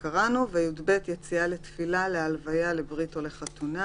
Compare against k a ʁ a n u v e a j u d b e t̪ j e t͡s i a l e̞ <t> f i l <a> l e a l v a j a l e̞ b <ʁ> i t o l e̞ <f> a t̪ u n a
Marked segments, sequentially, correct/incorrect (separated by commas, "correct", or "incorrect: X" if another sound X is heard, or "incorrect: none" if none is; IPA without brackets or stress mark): correct, correct, correct, incorrect: χ